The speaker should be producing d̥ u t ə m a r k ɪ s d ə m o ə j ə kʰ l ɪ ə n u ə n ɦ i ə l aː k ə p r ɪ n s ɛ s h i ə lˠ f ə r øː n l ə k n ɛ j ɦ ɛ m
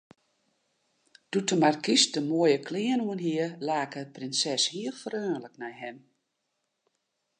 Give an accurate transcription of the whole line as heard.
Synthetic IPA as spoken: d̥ u t ə m a r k i s d ə m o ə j ə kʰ l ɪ ə n u ə n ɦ i ə l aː k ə p r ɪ n s ɛ s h i ə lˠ f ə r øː n l ə k n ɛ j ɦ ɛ m